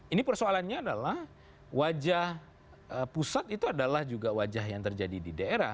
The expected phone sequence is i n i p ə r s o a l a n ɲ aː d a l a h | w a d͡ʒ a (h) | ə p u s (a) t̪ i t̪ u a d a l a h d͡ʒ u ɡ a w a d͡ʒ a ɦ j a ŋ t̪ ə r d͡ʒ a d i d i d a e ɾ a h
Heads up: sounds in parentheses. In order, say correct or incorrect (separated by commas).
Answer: correct, correct